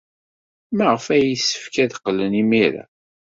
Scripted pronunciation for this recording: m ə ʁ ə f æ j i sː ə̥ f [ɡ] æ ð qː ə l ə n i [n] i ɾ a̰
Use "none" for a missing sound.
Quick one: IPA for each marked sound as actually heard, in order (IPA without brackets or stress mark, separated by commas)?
k, m